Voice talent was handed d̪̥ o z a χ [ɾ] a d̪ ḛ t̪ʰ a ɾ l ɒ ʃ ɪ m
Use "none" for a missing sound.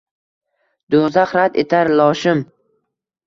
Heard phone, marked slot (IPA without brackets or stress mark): ɾ